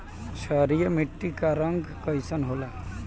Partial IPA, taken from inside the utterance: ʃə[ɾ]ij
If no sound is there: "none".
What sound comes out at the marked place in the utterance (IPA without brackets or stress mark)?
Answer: ɾ